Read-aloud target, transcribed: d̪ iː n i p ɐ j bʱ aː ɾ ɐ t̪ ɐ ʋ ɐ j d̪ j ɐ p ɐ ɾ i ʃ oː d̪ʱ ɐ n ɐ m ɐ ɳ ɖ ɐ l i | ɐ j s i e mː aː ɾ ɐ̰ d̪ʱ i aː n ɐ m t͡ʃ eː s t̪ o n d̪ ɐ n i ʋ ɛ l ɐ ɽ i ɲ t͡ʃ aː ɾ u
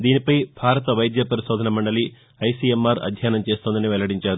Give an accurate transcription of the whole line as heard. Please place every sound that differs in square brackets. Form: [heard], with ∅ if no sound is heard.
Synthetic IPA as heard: d̪ iː n i p ɐ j bʱ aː ɾ ɐ t̪ ɐ ʋ ɐ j d̪ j ɐ p ɐ ɾ i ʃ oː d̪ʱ ɐ n ɐ m ɐ ɳ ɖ ɐ l i | ɐ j s i e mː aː ɾ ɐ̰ d̪ʱ [j] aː n ɐ m t͡ʃ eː s t̪ o n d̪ ɐ n i ʋ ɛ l ɐ ɽ i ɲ t͡ʃ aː ɾ u

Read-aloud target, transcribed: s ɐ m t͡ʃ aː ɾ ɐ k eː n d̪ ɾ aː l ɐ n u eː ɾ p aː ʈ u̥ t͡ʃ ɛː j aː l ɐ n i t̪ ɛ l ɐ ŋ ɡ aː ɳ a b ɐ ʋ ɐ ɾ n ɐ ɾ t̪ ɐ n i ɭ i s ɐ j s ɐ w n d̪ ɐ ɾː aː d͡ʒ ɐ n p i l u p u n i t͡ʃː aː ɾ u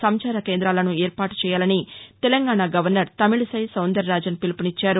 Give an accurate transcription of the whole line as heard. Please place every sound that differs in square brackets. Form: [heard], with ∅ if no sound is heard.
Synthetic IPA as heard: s ɐ m t͡ʃ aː ɾ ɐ k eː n d̪ ɾ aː l ɐ n u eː ɾ p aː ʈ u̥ t͡ʃ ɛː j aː l ɐ n i t̪ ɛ l ɐ ŋ ɡ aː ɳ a [ɡ] ɐ ʋ ɐ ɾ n ɐ ɾ t̪ ɐ [m] i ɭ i s ɐ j s ɐ w n d̪ ɐ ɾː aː d͡ʒ ɐ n p i l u p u n i t͡ʃː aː ɾ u

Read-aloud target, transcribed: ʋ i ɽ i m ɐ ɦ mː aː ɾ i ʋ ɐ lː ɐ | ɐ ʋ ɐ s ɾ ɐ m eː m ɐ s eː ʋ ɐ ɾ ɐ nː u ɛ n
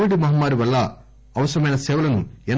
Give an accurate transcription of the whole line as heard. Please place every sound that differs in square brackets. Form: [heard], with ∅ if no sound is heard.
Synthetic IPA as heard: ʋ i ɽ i m ɐ ɦ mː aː ɾ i ʋ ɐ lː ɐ | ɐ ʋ ɐ s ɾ ɐ m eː [n] ɐ s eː ʋ ɐ [l] ɐ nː u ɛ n

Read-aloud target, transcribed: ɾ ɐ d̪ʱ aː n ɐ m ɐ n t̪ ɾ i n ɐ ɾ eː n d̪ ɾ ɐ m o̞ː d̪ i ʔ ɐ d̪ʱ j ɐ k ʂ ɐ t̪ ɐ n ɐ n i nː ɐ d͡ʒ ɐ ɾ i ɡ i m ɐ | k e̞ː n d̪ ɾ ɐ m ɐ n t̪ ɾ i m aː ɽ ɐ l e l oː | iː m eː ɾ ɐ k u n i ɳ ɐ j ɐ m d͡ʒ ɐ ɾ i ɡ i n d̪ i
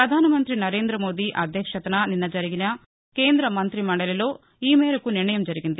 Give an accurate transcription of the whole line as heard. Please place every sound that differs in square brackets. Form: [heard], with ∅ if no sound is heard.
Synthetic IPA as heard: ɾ ɐ d̪ʱ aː n ɐ m ɐ n t̪ ɾ i n ɐ ɾ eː n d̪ ɾ ɐ m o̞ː d̪ i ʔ ɐ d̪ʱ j ɐ k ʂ ɐ t̪ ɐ n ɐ n i nː ɐ d͡ʒ ɐ ɾ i ɡ i [n] ɐ | k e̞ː n d̪ ɾ ɐ m ɐ n t̪ ɾ i m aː ɽ ɐ l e l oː | iː m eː ɾ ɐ k u n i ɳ ɐ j ɐ m d͡ʒ ɐ ɾ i ɡ i n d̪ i

